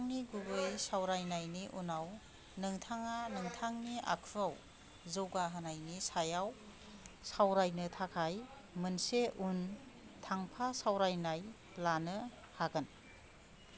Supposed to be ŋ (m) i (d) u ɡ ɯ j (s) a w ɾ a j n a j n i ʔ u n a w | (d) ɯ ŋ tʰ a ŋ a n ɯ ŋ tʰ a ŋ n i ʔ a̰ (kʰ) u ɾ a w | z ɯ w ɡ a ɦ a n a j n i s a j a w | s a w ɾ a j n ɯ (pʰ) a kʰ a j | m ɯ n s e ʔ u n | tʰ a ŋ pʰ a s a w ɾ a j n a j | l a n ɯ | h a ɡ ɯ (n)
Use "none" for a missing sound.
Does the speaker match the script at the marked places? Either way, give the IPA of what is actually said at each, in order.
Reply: n, ɡ, s, n, kʰ, tʰ, n

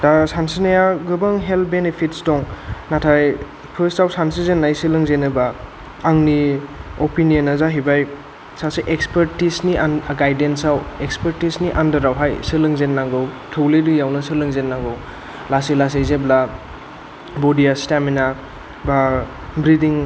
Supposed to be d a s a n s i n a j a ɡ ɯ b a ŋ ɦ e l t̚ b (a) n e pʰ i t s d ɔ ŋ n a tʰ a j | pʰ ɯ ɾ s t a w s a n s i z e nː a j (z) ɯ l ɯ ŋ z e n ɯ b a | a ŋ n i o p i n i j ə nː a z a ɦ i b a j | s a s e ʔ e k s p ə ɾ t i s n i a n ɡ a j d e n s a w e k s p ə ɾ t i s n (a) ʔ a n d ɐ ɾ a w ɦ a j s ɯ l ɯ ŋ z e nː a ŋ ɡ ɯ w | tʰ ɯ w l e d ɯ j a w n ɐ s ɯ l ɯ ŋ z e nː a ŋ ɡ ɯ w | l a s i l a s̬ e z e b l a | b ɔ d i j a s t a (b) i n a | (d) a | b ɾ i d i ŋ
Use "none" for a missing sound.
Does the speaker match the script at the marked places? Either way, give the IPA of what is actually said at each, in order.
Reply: e, s, i, m, b

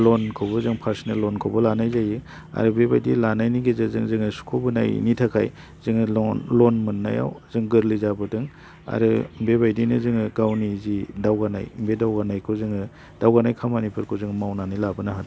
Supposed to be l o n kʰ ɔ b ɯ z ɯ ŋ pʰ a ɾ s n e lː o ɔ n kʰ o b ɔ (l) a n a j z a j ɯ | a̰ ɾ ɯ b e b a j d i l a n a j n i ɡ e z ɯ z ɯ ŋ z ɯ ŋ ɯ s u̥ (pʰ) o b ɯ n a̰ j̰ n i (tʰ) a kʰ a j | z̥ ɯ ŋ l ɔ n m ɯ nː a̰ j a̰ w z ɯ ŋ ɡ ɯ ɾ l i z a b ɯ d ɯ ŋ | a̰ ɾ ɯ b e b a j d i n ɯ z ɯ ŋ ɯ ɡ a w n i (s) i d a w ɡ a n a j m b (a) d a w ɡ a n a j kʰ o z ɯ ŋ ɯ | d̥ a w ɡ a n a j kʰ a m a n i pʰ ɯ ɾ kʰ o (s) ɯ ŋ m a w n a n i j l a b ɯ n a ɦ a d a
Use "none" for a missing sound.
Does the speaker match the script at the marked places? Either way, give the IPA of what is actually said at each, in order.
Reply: l, kʰ, tʰ, z, e, z

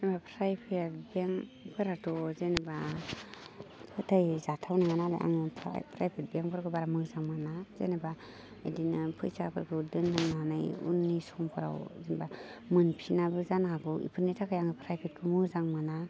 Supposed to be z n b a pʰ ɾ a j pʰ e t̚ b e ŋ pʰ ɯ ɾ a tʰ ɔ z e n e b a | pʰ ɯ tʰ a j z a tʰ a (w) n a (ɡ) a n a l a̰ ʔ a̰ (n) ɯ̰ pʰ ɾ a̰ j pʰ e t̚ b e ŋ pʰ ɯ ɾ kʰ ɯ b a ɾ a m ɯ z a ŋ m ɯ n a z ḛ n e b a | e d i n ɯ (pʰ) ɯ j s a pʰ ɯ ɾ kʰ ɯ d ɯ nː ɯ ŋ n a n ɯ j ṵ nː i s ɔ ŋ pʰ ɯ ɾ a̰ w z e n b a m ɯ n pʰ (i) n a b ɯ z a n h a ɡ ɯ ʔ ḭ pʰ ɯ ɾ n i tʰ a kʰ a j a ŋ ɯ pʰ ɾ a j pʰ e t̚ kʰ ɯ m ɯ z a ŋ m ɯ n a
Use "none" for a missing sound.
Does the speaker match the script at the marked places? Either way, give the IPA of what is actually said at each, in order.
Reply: w, ŋ, ŋ, pʰ, i

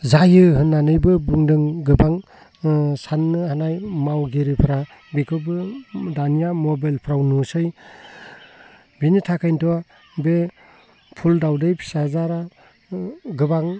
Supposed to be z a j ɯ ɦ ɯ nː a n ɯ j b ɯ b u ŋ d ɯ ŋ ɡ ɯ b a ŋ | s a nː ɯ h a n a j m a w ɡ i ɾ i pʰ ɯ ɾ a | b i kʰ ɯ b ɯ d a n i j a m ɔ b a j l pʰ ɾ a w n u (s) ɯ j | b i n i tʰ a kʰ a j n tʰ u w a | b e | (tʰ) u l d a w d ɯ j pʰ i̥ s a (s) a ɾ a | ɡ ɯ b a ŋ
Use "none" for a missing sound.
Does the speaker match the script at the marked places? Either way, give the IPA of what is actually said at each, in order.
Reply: s, pʰ, z

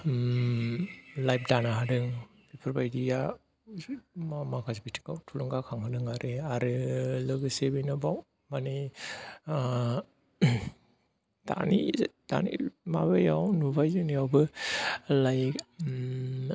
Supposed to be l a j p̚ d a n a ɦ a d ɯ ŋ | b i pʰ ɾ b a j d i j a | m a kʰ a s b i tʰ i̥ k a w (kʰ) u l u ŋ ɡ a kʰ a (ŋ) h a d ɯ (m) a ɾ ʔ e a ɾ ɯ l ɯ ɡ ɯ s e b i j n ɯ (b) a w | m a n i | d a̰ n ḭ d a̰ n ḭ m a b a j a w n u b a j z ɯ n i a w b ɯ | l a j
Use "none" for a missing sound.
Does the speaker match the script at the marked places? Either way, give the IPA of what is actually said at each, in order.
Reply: tʰ, ŋ, ŋ, b

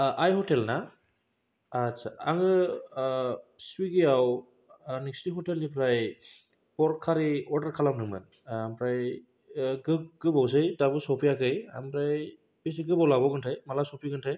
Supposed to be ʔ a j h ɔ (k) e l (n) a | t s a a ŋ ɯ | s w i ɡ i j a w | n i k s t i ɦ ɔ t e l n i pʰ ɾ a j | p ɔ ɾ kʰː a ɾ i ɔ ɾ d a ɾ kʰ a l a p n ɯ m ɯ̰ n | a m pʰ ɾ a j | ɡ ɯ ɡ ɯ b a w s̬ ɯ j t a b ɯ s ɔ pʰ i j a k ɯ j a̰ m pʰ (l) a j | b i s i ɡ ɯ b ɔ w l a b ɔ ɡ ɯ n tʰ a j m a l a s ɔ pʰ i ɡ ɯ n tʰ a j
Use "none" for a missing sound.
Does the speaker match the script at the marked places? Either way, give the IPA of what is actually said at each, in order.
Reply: t, n, ɾ

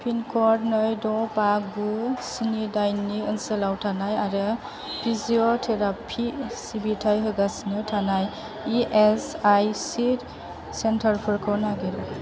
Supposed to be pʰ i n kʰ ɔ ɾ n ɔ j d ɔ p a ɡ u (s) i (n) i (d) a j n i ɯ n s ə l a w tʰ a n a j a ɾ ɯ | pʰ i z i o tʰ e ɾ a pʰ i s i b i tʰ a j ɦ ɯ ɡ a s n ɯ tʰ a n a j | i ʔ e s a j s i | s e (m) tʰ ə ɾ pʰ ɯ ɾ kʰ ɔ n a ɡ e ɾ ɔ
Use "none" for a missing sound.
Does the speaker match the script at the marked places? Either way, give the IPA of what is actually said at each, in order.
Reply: s, n, d, n

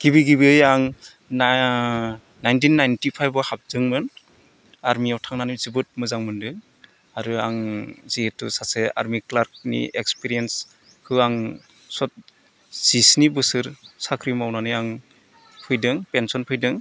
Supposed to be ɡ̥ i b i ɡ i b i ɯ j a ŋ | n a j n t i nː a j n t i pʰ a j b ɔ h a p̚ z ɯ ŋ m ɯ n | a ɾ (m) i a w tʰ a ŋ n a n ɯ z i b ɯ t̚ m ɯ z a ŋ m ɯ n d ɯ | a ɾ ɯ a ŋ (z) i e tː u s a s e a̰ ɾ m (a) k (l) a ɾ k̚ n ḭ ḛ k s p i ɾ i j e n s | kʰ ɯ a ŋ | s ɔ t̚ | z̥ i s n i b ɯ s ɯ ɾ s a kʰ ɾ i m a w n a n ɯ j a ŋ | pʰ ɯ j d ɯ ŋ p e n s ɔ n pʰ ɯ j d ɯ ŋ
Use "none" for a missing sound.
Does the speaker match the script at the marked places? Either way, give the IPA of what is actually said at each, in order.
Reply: m, z, i, l

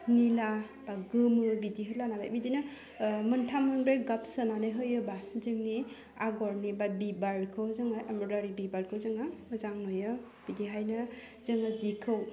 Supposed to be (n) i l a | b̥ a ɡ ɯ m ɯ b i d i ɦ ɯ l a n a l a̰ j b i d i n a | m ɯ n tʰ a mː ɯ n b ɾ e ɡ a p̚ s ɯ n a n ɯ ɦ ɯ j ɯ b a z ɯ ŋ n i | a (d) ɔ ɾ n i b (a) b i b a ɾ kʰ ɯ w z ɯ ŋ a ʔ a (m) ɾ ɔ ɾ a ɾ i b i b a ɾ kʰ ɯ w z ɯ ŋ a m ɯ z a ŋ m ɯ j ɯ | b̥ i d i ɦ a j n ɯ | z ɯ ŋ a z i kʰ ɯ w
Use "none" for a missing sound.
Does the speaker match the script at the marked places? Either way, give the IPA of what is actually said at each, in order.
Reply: n, ɡ, a, m

